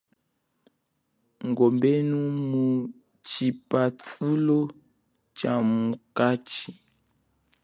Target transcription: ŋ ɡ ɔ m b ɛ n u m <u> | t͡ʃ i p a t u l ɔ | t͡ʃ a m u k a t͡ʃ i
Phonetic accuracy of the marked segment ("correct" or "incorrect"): correct